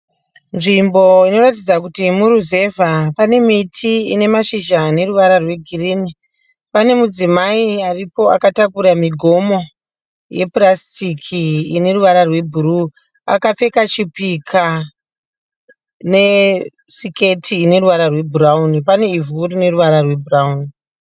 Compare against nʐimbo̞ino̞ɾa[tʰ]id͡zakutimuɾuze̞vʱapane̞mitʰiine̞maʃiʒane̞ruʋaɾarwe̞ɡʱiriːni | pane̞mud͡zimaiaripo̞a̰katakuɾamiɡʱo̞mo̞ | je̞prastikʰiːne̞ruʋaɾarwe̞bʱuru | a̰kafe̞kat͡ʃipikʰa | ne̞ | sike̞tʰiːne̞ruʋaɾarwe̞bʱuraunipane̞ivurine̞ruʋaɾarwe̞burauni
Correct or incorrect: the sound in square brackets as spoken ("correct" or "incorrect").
incorrect